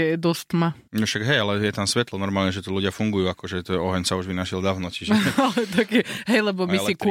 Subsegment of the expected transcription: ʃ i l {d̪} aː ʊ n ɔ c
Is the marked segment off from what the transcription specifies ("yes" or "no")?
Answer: no